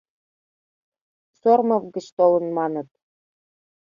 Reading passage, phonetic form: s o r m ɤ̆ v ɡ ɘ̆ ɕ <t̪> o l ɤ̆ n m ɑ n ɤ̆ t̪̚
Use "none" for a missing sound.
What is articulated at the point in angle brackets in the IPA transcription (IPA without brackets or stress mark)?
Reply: t̪